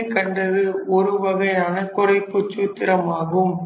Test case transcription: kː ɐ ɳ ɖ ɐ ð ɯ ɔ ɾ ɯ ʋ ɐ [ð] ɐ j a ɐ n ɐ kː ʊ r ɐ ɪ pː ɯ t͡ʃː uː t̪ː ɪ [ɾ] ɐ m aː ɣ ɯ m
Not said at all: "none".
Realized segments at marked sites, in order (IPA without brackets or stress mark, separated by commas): ɣ, ɾ